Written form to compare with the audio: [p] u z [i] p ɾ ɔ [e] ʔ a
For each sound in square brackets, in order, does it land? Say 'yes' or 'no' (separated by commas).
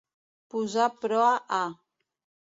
yes, no, no